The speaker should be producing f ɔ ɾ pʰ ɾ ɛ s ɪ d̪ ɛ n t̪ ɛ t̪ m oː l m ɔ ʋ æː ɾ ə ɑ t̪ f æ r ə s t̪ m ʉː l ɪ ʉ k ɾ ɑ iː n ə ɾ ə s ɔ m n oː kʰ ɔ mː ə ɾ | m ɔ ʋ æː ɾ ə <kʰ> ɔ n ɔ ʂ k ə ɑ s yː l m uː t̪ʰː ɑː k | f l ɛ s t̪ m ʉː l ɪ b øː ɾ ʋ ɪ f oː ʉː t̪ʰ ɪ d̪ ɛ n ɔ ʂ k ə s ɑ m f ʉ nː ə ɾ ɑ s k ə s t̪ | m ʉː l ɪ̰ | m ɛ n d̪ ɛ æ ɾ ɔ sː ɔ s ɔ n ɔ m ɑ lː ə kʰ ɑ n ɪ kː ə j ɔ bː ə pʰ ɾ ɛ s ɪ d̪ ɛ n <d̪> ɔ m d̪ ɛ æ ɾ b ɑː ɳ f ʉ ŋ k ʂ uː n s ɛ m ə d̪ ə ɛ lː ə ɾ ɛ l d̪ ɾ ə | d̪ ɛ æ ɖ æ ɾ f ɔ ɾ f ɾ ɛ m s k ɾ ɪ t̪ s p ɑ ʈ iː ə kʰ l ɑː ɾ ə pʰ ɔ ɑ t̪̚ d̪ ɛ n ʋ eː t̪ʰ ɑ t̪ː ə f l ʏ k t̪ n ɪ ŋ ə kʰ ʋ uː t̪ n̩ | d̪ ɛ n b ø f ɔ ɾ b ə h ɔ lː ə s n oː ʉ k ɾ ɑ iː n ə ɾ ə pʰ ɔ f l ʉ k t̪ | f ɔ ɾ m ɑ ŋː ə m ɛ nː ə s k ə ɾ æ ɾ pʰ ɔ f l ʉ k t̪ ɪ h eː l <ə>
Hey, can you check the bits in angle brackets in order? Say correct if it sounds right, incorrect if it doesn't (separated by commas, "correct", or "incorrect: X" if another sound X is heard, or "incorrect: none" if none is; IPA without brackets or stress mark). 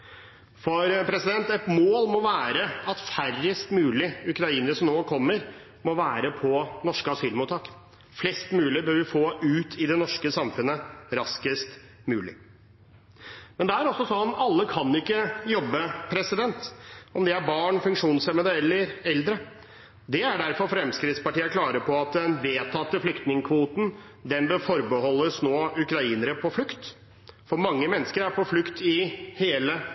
incorrect: pʰ, incorrect: t̪, correct